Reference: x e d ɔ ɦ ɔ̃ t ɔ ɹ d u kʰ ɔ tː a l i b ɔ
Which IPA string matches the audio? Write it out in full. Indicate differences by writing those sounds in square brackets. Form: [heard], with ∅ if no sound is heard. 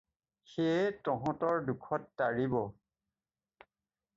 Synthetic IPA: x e [t] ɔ ɦ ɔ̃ t ɔ ɹ d u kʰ ɔ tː a [ɹ] i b ɔ